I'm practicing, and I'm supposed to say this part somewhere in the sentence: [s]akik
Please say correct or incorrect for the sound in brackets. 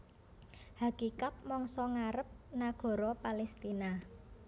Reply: incorrect